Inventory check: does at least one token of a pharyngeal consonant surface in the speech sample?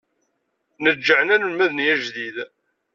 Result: yes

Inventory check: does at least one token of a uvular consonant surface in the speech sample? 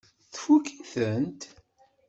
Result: no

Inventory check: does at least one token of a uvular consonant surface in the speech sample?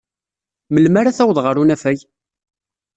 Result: yes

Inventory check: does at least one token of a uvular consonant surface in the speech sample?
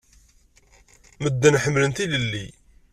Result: no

